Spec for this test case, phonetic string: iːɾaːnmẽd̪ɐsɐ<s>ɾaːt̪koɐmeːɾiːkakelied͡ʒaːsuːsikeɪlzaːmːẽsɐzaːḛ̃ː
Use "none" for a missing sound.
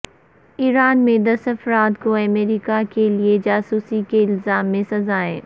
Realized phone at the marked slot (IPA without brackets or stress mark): f